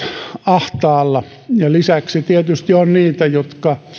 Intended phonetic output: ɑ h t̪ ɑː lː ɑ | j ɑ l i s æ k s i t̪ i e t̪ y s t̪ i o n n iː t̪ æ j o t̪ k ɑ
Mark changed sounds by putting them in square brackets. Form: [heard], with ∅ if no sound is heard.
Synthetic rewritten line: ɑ h t̪ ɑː lː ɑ | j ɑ l i s æ k s i t̪ i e t̪ y s t̪ i o n n iː t̪ æ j o t̪ k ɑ